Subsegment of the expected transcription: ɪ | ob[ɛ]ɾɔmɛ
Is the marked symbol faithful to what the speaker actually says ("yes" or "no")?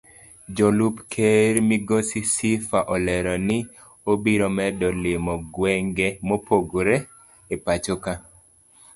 no